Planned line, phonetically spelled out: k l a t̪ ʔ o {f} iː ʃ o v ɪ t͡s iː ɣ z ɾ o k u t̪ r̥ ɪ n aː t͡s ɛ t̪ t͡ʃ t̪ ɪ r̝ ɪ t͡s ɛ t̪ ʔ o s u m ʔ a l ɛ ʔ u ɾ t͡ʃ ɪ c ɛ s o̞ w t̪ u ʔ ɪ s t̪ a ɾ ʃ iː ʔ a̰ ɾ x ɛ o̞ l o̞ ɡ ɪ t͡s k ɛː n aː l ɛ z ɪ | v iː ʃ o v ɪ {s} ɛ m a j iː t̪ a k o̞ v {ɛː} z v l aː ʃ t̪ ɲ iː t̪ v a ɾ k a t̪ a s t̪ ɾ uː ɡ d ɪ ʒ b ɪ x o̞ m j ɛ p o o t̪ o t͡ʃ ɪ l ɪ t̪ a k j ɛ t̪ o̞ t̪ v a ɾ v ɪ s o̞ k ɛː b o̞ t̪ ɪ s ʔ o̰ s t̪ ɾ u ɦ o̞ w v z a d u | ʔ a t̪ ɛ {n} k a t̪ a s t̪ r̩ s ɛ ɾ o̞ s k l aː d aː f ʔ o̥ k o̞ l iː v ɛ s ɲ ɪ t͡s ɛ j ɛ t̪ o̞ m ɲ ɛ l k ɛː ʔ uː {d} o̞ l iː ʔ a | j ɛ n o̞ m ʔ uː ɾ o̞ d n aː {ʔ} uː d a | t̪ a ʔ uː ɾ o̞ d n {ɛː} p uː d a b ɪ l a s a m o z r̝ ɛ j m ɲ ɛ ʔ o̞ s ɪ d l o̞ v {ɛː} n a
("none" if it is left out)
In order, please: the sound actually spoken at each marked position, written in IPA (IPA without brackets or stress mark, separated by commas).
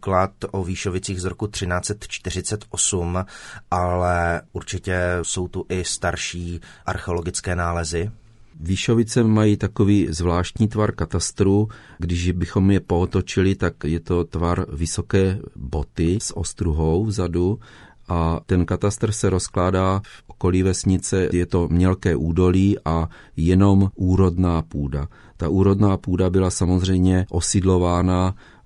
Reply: v, t͡s, iː, n, d, p, aː, aː